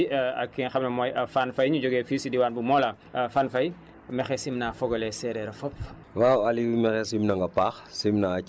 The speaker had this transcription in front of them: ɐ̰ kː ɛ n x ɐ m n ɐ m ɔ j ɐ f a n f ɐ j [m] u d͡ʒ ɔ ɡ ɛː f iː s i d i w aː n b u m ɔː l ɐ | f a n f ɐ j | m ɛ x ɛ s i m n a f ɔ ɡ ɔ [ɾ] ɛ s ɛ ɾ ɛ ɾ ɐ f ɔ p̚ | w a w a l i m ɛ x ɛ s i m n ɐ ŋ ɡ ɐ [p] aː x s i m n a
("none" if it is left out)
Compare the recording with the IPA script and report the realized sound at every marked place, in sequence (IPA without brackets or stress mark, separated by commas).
ɲ, l, p